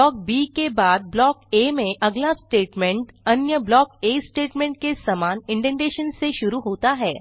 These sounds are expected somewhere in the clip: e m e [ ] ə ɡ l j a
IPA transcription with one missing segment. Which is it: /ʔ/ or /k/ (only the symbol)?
ʔ